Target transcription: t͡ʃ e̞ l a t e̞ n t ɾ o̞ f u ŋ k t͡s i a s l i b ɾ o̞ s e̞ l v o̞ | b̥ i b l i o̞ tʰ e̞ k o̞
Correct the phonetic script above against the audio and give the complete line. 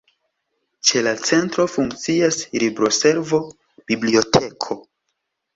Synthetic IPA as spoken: t͡ʃ e̞ l a t͡s e̞ n t ɾ o̞ f u ŋ k t͡s i a s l i b ɾ o̞ s e̞ ɾ v o̞ | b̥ i b l i o̞ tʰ e̞ kʰ o̞